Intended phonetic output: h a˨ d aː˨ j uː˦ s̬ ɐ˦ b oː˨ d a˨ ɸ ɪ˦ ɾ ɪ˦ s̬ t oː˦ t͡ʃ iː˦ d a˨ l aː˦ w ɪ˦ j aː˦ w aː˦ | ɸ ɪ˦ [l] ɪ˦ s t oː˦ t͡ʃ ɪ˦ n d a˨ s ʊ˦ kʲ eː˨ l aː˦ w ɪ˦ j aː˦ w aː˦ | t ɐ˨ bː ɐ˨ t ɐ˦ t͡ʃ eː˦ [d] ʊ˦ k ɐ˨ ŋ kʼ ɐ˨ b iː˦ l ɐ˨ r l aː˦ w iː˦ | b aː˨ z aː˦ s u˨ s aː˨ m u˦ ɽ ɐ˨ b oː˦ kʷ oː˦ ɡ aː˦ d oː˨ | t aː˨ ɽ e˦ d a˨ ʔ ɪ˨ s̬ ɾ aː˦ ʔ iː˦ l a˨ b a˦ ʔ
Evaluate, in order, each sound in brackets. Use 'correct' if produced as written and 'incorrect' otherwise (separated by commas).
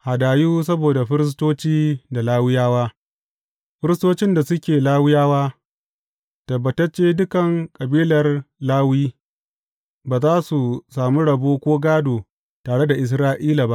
incorrect, correct